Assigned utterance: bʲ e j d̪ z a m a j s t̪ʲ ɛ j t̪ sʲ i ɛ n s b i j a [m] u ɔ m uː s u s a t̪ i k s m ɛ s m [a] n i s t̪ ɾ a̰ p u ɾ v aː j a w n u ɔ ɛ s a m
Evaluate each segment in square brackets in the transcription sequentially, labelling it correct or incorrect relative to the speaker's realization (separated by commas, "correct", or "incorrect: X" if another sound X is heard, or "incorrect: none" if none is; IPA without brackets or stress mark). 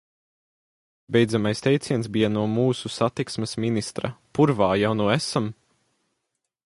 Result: incorrect: n, incorrect: i